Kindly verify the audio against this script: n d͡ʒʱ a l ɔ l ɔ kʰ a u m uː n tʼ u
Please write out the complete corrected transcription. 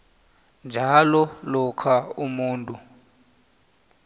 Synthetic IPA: n d͡ʒʱ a l ɔ l ɔ kʰ a u m uː n tʼ u